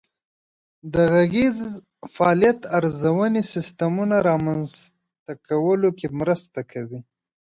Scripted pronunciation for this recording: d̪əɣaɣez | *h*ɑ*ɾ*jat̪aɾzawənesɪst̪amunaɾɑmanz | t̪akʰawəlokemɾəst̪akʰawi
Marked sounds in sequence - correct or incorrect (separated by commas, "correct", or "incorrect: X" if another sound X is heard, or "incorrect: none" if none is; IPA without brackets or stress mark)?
incorrect: f, incorrect: l